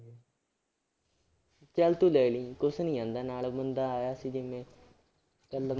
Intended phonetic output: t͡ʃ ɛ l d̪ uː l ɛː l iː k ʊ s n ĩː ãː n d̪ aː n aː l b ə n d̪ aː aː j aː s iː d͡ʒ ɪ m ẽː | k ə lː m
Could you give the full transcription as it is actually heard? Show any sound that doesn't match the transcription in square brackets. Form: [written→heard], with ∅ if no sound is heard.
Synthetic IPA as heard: t͡ʃ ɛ l [d̪→t̪] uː l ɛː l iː k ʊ s n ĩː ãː n d̪ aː n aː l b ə n d̪ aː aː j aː s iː d͡ʒ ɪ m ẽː | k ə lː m